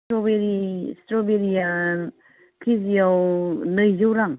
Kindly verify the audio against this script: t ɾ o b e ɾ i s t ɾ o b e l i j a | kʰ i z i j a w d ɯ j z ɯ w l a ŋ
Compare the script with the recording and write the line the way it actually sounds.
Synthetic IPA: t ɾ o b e ɾ i s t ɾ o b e ɾ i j a | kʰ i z i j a w n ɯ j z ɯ w ɾ a ŋ